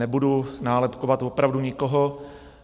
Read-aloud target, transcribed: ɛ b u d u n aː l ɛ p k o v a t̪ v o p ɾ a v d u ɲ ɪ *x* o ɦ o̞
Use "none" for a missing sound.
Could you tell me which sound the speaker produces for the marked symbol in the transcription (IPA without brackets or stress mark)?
k